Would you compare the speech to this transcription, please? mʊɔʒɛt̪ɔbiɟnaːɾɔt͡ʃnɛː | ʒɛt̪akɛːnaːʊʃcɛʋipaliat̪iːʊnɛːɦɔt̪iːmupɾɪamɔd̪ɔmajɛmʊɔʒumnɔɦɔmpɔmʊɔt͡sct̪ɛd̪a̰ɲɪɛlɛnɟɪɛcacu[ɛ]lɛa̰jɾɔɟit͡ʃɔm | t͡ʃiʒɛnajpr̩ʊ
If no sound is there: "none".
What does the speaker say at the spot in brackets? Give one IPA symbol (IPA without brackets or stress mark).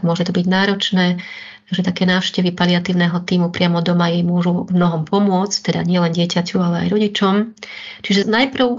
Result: a